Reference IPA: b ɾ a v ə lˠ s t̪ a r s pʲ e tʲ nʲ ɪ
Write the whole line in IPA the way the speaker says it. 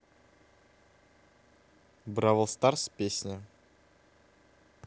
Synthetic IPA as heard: b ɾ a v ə lˠ s t̪ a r s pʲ e sʲ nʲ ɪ